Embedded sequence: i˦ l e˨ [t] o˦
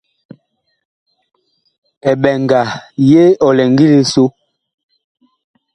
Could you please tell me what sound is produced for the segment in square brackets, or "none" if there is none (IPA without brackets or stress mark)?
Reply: s